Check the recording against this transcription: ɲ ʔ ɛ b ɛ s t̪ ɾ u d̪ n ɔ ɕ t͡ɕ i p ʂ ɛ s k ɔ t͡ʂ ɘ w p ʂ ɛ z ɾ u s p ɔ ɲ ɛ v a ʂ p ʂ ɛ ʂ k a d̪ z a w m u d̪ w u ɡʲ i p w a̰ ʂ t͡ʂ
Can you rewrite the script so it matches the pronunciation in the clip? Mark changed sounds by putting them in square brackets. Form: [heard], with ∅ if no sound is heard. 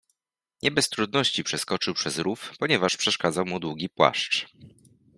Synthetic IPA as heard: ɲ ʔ ɛ b ɛ s t̪ ɾ u d̪ n ɔ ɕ t͡ɕ i p ʂ ɛ s k ɔ t͡ʂ ɘ w p ʂ ɛ z ɾ u [f] p ɔ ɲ ɛ v a ʂ p ʂ ɛ ʂ k a d̪ z a w m u d̪ w u ɡʲ i p w a̰ ʂ t͡ʂ